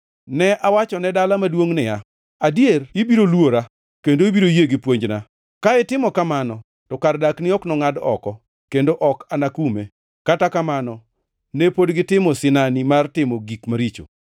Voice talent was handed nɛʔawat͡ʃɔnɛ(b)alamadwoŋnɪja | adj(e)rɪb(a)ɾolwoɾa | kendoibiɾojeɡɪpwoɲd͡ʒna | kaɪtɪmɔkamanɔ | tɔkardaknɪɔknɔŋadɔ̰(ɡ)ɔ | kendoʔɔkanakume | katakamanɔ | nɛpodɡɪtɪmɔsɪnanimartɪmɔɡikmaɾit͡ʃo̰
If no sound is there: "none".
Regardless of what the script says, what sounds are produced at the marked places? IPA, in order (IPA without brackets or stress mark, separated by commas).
d, e, i, k